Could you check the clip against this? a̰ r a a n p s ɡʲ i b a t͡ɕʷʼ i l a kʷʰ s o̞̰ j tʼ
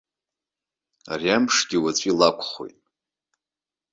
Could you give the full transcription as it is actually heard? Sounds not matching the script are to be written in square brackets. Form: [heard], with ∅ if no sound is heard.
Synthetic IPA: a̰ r [i] a [m] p [ʂ] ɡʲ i [w] a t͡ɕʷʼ i l a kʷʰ [χ] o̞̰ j tʼ